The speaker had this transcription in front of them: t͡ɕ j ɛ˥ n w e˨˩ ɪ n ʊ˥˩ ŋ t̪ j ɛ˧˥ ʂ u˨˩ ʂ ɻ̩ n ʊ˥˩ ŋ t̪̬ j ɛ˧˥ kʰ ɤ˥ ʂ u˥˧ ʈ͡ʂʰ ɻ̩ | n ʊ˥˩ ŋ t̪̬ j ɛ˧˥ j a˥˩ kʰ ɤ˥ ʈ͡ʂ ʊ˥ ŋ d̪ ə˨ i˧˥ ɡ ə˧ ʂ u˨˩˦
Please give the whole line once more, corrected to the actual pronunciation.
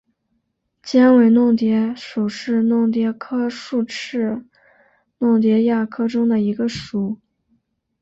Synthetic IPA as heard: t͡ɕ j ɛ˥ n w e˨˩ ɪ n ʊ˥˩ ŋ t̪ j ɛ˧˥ ʂ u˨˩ ʂ ɻ̩ n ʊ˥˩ ŋ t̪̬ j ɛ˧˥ kʰ ɤ˥ ʂ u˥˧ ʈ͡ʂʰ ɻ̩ | n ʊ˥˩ ŋ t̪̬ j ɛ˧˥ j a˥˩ kʰ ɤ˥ ʈ͡ʂ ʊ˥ ŋ d̪ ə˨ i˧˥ ɡ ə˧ ʂ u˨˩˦

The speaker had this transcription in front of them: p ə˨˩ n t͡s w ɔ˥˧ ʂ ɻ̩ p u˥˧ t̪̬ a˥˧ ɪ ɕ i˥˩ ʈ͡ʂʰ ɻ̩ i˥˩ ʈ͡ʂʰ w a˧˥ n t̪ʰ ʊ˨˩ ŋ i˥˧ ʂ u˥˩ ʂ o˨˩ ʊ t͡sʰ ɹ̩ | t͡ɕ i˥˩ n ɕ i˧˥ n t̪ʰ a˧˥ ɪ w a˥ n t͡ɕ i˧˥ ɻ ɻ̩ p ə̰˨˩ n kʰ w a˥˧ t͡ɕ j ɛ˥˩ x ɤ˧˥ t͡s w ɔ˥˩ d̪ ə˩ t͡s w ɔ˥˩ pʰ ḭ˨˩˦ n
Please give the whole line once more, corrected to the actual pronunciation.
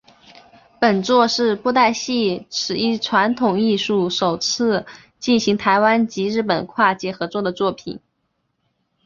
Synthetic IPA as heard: p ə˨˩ n t͡s w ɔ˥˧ ʂ ɻ̩ p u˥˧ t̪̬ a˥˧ ɪ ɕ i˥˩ ʈ͡ʂʰ ɻ̩ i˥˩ ʈ͡ʂʰ w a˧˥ n t̪ʰ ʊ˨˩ ŋ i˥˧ ʂ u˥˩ ʂ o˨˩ ʊ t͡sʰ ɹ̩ | t͡ɕ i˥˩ n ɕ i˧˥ ŋ t̪ʰ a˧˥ ɪ w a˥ n t͡ɕ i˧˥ ɻ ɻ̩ p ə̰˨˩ n kʰ w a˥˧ t͡ɕ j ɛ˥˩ x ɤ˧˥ t͡s w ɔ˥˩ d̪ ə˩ t͡s w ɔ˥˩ pʰ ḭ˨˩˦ n

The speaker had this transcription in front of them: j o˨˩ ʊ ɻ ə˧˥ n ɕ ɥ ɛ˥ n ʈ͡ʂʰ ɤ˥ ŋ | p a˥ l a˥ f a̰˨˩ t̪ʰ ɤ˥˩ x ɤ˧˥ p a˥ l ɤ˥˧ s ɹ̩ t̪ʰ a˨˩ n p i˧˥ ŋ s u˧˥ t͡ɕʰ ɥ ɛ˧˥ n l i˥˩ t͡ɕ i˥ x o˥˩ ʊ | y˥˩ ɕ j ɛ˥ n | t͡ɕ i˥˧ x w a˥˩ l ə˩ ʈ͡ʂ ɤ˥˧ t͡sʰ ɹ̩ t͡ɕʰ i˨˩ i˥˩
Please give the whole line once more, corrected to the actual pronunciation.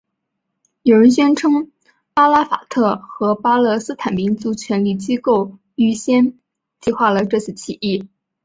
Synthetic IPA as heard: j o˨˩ ʊ ɻ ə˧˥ n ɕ ɥ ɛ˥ n ʈ͡ʂʰ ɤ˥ ŋ | p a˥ l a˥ f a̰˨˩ t̪ʰ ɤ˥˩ x ɤ˧˥ p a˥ l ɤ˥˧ s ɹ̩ t̪ʰ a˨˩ n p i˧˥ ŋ t͡s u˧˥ t͡ɕʰ ɥ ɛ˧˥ n l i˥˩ t͡ɕ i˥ k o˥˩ ʊ | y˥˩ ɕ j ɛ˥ n | t͡ɕ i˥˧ x w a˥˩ l ə˩ ʈ͡ʂ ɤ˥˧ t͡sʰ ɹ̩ t͡ɕʰ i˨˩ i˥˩

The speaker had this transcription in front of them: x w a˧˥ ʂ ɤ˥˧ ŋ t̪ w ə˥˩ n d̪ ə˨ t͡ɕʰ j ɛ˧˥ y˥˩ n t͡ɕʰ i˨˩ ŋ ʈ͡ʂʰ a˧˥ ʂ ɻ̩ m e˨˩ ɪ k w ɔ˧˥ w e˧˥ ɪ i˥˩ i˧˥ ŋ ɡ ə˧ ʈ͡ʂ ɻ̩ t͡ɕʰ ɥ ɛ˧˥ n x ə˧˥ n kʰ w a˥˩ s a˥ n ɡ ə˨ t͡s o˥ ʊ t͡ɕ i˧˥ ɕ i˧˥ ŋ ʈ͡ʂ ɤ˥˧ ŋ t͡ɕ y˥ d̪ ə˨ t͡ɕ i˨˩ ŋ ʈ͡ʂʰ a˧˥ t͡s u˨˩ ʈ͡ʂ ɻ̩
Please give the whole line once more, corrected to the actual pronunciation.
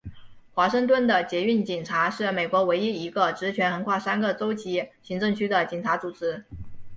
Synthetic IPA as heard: x w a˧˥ ʂ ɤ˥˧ ŋ t̪ w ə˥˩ n d̪ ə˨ t͡ɕ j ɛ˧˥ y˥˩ n t͡ɕ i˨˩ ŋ ʈ͡ʂʰ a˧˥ ʂ ɻ̩ m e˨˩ ɪ k w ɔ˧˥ w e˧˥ ɪ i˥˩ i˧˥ ɡ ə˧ ʈ͡ʂ ɻ̩ t͡ɕʰ ɥ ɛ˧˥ n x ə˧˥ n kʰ w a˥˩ s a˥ n ɡ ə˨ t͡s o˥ ʊ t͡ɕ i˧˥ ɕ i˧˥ ŋ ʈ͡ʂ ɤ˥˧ ŋ t͡ɕʰ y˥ d̪ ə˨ t͡ɕ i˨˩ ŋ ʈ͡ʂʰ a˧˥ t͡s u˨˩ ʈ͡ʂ ɻ̩

